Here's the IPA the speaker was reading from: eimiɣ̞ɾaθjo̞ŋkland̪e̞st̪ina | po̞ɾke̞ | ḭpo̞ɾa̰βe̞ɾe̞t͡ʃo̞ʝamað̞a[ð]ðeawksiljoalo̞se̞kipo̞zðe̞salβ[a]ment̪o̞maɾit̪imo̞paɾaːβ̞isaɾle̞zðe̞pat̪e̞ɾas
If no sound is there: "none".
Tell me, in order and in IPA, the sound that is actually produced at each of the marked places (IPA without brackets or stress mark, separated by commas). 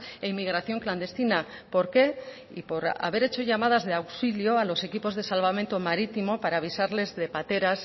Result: z, a